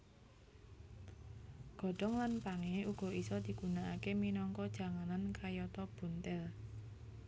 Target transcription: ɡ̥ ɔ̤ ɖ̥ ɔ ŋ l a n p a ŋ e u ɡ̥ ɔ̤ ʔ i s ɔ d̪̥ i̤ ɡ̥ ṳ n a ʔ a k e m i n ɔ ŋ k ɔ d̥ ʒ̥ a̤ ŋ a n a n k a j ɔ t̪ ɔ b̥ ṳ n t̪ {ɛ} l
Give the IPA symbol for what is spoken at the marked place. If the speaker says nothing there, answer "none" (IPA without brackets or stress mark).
ɛ